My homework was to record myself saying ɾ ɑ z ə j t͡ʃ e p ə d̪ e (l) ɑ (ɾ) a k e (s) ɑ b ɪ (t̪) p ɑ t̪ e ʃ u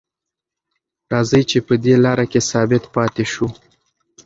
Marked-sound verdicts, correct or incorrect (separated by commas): correct, correct, correct, correct